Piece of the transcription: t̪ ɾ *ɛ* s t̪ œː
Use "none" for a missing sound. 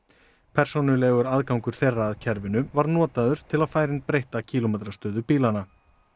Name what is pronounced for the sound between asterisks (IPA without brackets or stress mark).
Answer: a